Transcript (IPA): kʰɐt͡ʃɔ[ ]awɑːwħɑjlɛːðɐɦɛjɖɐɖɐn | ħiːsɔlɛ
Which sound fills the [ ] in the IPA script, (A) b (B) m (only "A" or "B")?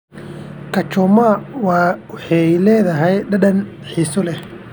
B